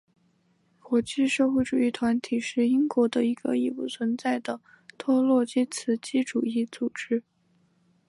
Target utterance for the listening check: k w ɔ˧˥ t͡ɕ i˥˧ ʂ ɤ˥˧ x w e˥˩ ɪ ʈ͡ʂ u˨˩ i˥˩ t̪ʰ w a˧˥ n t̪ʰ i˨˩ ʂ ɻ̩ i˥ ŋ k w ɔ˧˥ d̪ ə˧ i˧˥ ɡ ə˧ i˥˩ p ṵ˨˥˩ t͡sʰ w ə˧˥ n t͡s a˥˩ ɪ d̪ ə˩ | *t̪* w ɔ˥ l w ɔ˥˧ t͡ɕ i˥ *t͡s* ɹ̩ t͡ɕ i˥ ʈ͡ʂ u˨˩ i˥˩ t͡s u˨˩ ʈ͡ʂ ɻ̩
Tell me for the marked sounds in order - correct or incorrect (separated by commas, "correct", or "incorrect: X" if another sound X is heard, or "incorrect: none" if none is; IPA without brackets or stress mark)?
incorrect: t̪ʰ, incorrect: t͡sʰ